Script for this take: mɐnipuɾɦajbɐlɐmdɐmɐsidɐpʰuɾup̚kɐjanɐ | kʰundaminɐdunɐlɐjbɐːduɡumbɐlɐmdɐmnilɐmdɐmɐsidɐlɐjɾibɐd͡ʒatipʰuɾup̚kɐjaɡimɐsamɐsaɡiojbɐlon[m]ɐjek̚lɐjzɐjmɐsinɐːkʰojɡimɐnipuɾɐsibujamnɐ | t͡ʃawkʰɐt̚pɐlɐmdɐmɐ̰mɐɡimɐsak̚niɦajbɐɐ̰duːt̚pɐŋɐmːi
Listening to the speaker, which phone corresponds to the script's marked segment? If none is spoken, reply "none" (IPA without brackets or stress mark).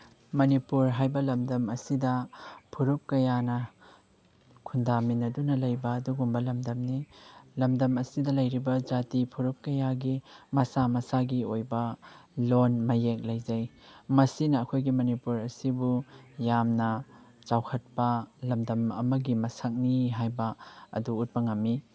m